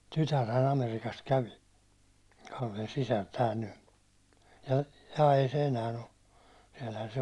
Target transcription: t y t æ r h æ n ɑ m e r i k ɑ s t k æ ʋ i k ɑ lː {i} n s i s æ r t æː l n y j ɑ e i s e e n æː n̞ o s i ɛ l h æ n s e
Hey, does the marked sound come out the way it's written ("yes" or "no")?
no